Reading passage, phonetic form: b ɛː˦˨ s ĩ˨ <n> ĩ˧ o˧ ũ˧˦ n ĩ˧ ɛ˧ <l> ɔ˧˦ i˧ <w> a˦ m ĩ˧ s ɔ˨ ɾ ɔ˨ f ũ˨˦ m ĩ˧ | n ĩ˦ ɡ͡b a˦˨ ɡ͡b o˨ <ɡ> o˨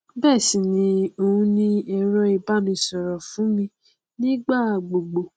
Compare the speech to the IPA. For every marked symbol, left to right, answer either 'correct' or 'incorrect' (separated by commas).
correct, incorrect, incorrect, incorrect